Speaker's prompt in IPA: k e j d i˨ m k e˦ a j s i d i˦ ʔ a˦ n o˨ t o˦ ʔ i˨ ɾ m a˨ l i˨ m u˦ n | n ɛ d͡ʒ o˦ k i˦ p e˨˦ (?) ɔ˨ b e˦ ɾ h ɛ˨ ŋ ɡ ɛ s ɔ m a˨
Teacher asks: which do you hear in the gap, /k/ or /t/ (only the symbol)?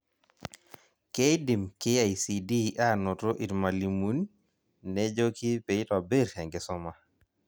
t